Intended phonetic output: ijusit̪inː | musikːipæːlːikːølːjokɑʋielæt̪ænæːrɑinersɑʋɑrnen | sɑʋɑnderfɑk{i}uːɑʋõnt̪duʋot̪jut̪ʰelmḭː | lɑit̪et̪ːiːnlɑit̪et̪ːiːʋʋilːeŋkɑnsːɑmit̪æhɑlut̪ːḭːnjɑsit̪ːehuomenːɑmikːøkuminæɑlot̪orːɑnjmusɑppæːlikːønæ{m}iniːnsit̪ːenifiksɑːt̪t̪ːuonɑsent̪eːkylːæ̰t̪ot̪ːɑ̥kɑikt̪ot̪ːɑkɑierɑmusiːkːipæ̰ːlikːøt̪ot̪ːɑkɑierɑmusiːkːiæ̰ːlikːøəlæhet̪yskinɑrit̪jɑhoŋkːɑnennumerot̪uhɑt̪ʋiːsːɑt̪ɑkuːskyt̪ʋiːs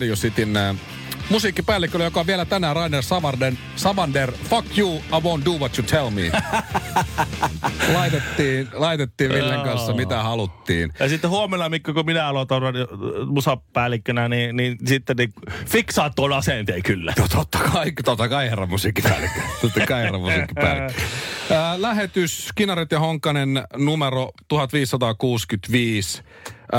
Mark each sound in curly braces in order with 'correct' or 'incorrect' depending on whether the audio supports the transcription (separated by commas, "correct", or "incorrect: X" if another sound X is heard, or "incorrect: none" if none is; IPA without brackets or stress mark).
incorrect: j, incorrect: n